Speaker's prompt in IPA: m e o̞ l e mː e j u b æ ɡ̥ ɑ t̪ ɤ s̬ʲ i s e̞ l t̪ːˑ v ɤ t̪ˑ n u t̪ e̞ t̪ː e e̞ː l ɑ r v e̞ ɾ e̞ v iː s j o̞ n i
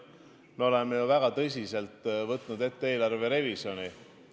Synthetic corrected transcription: m e o̞ l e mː e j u v æ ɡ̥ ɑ t̪ ɤ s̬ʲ i s e̞ l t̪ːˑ v ɤ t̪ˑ n u d̪ e̞ t̪ː e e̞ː l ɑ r v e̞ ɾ e̞ v i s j o̞ n i

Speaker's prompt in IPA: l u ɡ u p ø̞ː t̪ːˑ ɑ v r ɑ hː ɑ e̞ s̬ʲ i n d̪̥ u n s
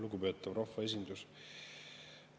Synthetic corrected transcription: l u ɡ u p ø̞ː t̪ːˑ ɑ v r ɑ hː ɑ e̞ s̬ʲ i n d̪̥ u s

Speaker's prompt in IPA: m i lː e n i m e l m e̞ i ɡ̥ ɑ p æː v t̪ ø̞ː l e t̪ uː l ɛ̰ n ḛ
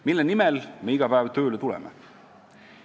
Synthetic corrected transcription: m i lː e n i m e l m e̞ i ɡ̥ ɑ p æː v t̪ ø̞ː l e t̪ u l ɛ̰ m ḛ

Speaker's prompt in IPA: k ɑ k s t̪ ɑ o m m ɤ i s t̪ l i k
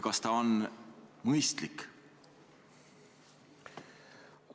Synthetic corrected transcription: k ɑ s t̪ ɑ o n m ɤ j s t̪ l i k

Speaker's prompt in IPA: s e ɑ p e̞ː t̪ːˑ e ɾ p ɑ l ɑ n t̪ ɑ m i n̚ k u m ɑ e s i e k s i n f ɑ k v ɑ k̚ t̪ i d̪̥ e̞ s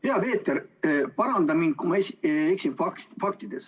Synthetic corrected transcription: h e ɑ p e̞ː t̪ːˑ e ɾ p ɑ ɾ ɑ n d̪ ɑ m i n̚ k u m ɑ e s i e k s i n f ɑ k f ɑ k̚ t̪ i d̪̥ e̞ s

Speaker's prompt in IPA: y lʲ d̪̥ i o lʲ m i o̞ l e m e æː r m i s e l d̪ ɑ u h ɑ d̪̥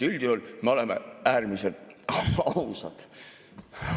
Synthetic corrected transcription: y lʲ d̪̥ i o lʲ m e o̞ l e m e æː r m i s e l t̪ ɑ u s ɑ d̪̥

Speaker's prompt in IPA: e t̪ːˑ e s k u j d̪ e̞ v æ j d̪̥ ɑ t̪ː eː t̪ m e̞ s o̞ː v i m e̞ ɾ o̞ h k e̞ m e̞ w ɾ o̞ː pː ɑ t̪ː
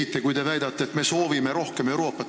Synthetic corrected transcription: i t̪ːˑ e k u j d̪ e̞ v æ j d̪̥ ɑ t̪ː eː t̪ m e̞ s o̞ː v i m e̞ ɾ o̞ h k e̞ m e̞ w ɾ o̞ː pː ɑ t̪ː

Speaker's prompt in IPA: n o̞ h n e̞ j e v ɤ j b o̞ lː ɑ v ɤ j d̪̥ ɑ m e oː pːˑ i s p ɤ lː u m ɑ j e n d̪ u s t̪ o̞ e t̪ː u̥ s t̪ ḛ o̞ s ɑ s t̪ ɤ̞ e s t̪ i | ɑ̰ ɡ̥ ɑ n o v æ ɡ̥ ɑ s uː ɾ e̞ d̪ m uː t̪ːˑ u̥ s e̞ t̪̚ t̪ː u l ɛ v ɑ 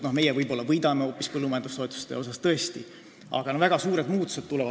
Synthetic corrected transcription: n o̞ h m e̞ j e v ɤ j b o̞ lː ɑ v ɤ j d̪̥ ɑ m e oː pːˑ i s p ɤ lː u m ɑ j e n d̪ u s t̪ o̞ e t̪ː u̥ s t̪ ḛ o̞ s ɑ s t̪ ɤ̞ e s t̪ i | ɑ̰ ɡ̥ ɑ n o v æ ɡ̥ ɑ s uː ɾ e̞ d̪ m uː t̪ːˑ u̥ s e̞ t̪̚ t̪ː u l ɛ v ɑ

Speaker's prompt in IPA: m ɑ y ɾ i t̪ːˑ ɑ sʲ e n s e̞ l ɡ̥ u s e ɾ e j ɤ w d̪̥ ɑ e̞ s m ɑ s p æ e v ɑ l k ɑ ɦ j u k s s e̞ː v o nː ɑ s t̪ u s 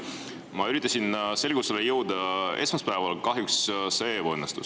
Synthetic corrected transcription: m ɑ y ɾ i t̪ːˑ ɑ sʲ i n s e̞ l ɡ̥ u s e l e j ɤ w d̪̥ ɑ e̞ s m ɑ s p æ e v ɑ l k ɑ ɦ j u k s s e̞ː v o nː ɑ s t̪ u s

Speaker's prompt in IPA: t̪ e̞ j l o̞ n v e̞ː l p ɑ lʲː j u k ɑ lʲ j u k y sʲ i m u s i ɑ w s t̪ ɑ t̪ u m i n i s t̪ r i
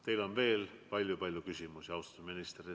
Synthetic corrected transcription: t̪ e̞ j l o̞ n v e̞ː l p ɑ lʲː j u p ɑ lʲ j u k y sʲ i m u s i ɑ w s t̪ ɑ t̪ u m i n i s t̪ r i

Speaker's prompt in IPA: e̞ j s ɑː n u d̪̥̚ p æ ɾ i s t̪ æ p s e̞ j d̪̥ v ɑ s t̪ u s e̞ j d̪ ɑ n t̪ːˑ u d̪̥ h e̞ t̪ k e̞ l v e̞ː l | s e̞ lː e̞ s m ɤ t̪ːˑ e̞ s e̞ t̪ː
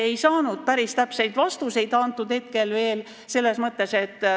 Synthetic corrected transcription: e̞ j s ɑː n u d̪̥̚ p æ ɾ i s t̪ æ p s e̞ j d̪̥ v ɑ s t̪ u s e̞ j d̪ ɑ n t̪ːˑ u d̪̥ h e̞ t̪ k e̞ l v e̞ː l | s e̞ lː e̞ s m ɤ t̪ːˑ e̞ s e̞ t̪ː

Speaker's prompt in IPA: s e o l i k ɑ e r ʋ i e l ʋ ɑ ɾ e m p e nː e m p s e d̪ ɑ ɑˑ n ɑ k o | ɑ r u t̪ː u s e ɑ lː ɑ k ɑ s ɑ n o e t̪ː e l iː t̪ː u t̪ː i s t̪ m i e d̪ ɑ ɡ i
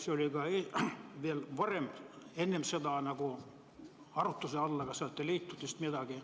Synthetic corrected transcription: s e o l i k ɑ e ʋ i e l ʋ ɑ r e m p e nː e m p s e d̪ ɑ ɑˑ n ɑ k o | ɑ r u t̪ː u s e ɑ lː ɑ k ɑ s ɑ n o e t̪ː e l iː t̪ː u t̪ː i s t̪ m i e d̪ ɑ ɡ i

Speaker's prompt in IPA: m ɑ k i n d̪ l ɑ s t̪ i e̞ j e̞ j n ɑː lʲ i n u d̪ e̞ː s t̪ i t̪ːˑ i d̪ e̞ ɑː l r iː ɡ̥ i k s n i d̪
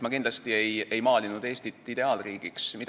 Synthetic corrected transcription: m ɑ k i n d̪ l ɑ s t̪ i e̞ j e̞ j m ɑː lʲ i n u d̪ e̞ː s t̪ i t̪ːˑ i d̪ e̞ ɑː l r iː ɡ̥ i k s m i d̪

